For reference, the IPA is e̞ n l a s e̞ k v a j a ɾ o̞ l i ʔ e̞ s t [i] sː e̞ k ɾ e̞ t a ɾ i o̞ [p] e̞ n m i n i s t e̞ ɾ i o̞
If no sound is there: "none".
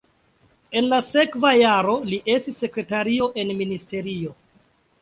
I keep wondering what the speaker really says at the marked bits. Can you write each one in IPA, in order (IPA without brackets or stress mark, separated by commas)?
i, ʔ